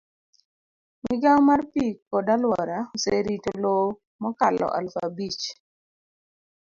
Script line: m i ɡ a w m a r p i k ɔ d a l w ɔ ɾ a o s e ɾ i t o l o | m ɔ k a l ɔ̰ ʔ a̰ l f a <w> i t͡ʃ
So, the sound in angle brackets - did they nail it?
no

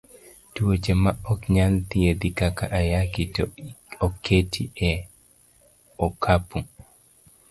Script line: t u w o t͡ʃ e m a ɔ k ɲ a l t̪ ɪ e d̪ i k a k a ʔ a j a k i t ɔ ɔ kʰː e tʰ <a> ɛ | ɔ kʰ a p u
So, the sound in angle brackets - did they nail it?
no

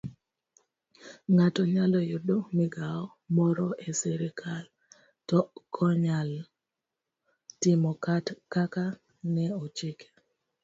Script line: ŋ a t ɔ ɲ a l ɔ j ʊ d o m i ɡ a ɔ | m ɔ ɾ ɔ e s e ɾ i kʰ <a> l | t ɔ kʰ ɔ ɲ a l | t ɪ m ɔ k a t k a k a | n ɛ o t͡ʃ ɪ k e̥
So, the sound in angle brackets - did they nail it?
yes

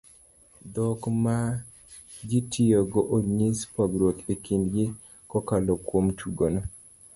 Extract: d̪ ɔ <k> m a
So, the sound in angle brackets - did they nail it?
yes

